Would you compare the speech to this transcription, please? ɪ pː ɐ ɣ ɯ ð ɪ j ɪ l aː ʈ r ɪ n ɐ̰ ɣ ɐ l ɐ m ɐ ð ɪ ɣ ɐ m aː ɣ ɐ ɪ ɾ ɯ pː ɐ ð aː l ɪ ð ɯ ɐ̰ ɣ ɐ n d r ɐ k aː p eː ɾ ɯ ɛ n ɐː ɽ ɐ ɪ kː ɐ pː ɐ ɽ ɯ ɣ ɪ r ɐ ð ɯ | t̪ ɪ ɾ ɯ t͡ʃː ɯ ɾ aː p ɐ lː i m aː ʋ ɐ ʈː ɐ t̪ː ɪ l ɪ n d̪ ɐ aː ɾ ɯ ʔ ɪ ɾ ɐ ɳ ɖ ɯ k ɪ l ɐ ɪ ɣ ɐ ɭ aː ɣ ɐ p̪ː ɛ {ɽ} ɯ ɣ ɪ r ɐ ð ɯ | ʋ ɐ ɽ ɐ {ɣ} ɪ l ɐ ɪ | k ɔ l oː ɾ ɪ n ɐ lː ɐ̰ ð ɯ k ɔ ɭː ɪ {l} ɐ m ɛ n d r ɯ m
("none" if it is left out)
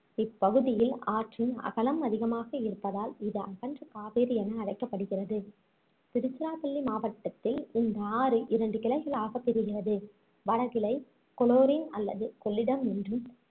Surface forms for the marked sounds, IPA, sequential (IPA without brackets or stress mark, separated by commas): ɾ, ɣ, ɽ